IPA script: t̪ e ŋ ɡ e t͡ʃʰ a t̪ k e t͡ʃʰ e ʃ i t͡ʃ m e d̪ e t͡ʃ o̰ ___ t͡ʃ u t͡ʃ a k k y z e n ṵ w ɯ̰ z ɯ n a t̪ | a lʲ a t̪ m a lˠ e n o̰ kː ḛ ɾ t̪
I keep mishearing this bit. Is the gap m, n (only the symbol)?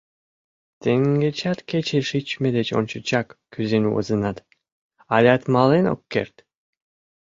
n